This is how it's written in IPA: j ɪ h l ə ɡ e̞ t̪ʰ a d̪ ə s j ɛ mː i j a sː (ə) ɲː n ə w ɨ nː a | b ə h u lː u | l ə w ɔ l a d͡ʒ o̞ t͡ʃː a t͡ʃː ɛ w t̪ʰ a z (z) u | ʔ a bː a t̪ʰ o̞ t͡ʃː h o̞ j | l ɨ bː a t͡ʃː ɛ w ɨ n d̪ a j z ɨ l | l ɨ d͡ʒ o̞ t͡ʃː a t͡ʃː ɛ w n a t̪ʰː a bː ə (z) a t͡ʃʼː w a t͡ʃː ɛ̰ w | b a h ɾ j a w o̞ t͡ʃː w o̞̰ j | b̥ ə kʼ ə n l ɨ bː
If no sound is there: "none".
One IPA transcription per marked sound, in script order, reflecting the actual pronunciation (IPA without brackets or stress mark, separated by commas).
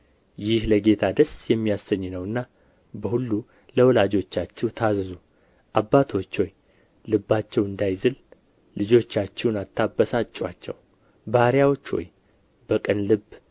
ə, z, s